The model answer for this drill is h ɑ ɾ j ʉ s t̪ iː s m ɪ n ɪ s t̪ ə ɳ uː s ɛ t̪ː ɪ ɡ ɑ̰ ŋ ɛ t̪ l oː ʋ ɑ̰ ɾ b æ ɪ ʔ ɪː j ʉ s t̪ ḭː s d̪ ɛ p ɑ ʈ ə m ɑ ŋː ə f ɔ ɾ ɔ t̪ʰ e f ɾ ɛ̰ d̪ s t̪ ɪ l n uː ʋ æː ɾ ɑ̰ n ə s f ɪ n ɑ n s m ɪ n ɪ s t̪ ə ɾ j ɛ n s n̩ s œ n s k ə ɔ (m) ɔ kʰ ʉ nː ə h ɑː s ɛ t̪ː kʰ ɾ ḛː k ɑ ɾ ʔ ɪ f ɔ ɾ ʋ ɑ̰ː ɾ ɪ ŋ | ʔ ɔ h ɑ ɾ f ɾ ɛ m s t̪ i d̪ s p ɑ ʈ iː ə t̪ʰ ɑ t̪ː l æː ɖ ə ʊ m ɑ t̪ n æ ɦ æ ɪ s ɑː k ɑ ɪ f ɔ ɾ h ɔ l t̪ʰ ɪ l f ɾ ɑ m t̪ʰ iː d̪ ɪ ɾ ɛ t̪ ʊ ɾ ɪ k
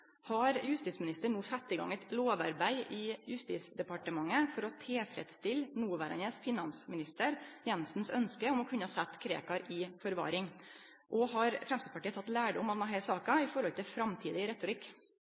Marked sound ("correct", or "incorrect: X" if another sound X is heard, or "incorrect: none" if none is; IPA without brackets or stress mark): correct